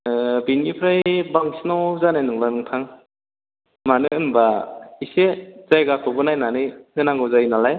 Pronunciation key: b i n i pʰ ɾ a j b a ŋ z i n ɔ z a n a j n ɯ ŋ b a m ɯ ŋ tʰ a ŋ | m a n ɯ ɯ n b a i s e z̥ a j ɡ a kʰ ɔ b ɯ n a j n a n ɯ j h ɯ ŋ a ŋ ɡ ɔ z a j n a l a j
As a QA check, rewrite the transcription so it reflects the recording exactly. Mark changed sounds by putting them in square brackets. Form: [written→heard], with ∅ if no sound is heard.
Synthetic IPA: b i n i pʰ ɾ a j b a ŋ [z→s] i n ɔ z a n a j n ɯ ŋ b a [m→n] ɯ ŋ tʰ a ŋ | m a n ɯ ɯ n b a i s e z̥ a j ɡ a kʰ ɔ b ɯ n a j n a n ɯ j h ɯ [ŋ→n] a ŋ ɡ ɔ z a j n a l a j